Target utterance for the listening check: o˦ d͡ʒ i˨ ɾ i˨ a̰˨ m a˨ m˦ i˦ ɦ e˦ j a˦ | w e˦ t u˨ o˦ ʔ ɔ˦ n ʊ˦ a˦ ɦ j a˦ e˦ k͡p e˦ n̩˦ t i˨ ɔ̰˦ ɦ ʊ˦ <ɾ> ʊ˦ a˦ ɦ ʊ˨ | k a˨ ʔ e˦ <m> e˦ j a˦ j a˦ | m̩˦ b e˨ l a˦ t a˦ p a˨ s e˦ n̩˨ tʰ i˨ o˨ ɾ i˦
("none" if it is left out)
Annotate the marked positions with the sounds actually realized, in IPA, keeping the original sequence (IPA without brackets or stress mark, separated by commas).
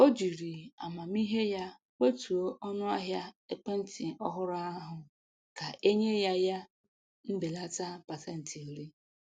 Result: ɾ, ɲ